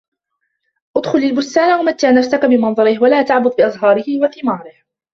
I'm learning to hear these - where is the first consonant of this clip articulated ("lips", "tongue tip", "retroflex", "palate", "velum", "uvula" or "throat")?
throat